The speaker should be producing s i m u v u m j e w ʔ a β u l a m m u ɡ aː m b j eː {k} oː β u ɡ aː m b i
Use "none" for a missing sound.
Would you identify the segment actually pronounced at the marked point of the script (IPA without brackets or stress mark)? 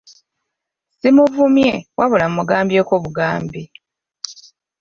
k